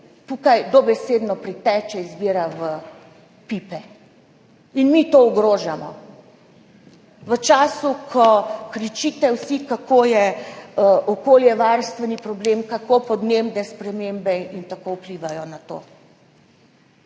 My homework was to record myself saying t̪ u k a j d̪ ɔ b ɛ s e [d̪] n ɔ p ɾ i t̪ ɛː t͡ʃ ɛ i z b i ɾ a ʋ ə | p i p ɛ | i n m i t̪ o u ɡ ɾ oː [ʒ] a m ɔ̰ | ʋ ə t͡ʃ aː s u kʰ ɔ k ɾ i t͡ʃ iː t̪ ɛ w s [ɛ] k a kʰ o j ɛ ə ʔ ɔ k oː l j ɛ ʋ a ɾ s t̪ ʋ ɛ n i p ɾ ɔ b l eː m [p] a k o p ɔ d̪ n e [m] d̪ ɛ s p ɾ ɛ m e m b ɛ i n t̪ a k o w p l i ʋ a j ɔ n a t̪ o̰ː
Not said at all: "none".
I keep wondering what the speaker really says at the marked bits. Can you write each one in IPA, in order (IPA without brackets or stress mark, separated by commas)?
d̪, ʒ, i, k, m